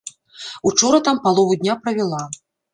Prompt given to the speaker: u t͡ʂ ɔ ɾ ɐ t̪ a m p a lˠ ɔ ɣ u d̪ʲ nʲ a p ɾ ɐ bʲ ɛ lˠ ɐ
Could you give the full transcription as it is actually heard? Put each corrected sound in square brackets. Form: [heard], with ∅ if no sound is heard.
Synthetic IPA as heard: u t͡ʂ ɔ ɾ ɐ t̪ a m p a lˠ ɔ [v] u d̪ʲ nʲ a p ɾ ɐ [vʲ] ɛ lˠ [a]